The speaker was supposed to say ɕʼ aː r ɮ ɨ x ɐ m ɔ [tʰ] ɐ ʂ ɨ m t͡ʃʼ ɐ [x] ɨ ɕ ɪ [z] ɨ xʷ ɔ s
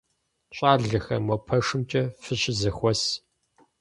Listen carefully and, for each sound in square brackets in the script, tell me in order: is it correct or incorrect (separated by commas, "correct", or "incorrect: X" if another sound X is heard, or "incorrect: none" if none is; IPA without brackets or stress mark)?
incorrect: pʰ, incorrect: f, correct